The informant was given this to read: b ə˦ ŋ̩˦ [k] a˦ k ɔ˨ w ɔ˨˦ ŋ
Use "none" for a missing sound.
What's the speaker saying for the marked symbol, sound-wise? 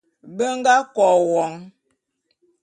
ɡ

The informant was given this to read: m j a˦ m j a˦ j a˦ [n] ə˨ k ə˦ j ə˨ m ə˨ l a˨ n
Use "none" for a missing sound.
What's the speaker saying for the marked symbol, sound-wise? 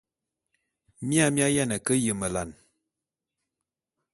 n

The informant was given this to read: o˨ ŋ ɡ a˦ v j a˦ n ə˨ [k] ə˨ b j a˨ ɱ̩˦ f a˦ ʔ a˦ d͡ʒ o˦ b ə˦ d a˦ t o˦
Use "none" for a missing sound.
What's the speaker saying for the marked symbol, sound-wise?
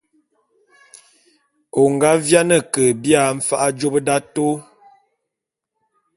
k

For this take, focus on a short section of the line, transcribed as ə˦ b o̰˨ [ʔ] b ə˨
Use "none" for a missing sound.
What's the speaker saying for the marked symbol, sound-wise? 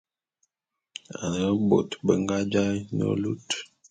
t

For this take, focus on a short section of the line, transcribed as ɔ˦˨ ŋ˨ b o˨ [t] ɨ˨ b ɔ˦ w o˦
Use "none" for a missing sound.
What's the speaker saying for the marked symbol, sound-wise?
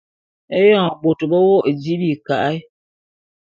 t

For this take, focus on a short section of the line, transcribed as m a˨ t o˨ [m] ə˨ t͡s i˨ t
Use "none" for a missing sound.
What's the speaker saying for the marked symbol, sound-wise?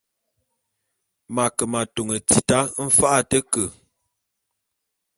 ŋ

